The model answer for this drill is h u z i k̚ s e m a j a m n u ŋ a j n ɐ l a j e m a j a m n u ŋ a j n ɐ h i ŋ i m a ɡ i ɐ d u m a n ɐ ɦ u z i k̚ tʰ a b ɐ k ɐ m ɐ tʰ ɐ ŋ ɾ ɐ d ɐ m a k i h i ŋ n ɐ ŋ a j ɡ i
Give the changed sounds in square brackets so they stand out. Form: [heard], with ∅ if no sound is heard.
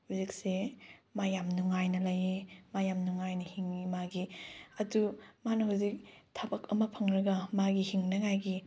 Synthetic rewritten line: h u z i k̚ s e m a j a m n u ŋ a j n ɐ l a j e m a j a m n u ŋ a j n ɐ h i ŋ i m a ɡ i ɐ d u m a n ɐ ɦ u z i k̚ tʰ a b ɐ k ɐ m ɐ [pʰ] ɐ ŋ ɾ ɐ [ɡ] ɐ m a [ɡ] i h i ŋ n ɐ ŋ a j ɡ i